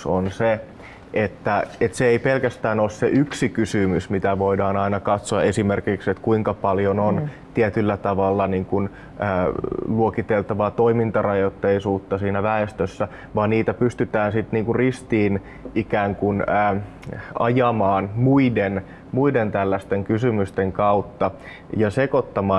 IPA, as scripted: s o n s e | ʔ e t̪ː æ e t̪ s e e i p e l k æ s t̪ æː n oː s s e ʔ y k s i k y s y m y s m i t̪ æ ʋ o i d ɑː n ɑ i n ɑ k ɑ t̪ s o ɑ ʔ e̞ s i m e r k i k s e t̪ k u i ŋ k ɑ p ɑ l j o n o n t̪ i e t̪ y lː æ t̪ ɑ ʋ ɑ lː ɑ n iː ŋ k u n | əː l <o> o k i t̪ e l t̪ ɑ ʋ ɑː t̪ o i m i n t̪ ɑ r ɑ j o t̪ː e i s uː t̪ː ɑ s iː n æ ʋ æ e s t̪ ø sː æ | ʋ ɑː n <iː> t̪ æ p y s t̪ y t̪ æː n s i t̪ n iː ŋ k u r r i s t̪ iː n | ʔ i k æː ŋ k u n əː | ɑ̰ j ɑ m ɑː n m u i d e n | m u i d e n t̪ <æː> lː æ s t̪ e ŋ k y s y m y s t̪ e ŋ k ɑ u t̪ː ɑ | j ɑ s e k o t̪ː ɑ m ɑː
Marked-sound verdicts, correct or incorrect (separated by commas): incorrect, correct, incorrect